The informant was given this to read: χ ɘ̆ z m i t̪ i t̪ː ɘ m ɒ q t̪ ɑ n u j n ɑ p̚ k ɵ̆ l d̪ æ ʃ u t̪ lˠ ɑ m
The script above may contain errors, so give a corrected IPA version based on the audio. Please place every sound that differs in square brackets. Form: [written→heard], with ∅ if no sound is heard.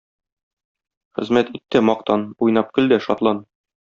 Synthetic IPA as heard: χ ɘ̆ z m [i→æ] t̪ i t̪ː ɘ m ɒ q t̪ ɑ n u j n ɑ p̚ k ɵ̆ l d̪ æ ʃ [u→ɒ] t̪ lˠ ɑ [m→n]